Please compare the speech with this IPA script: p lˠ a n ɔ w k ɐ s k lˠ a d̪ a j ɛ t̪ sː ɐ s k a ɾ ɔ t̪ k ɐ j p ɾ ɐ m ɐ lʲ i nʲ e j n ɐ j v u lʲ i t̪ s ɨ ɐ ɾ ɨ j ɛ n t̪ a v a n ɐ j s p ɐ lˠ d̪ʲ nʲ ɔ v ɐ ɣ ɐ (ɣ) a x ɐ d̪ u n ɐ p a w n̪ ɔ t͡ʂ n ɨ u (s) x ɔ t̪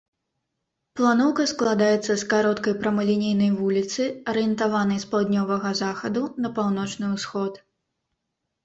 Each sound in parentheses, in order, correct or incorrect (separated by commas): incorrect, correct